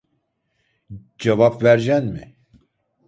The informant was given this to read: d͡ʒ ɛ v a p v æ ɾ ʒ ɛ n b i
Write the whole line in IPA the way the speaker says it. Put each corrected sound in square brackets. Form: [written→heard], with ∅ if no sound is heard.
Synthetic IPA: d͡ʒ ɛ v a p v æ ɾ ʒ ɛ n [b→m] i